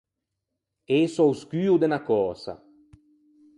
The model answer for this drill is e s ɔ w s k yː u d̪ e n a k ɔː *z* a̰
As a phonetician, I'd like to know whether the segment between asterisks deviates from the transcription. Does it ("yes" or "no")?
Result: yes